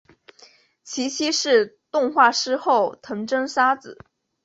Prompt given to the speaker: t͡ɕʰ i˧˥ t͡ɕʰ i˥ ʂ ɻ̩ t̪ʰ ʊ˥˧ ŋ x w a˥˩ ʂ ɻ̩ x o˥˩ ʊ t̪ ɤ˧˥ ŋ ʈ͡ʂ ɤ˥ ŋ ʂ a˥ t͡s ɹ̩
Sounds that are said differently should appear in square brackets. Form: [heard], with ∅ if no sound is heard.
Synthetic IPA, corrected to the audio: t͡ɕʰ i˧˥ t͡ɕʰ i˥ ʂ ɻ̩ [t̪] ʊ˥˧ ŋ x w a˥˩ ʂ ɻ̩ x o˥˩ ʊ [t̪ʰ] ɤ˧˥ ŋ ʈ͡ʂ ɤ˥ ŋ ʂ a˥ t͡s ɹ̩